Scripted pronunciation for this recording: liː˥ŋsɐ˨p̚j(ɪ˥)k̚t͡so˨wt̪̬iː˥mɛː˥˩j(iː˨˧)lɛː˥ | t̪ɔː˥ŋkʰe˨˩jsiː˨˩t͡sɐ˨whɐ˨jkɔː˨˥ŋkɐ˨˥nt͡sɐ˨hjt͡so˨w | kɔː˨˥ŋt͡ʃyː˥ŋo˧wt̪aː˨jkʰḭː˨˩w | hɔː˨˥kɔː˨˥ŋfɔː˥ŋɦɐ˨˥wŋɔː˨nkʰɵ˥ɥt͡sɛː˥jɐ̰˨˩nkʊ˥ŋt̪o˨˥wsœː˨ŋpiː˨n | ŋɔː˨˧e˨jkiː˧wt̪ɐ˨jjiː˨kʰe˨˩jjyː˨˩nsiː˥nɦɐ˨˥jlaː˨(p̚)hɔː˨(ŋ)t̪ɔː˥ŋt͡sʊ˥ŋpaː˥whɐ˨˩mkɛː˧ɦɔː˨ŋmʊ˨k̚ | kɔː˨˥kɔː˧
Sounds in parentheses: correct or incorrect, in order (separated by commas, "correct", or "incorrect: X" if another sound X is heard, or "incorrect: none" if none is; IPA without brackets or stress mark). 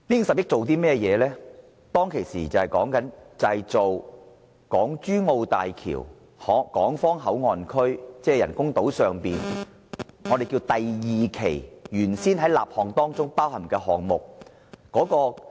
correct, incorrect: ɛː˨˧, correct, correct